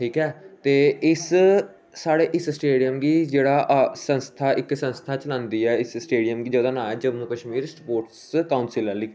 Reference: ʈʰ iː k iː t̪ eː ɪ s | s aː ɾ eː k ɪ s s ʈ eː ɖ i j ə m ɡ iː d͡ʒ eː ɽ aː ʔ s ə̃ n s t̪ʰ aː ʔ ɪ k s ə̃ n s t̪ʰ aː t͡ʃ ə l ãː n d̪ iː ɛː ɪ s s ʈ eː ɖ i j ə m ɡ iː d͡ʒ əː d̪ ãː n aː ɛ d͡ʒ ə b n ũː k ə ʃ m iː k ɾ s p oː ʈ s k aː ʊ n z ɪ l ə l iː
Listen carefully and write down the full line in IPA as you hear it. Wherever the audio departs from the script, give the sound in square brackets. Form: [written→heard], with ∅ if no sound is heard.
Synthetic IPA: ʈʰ iː k [iː→ɛː] t̪ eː ɪ s | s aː [ɾ→ɽ] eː [k→ʔ] ɪ s s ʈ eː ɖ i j ə m ɡ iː d͡ʒ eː ɽ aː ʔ s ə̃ n s t̪ʰ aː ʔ ɪ k s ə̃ n s t̪ʰ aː t͡ʃ ə l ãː n d̪ iː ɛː ɪ s s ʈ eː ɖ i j ə m ɡ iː d͡ʒ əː d̪ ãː n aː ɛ d͡ʒ ə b n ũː k ə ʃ m iː [k→∅] ɾ s p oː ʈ s k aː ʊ n [z→s] ɪ l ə l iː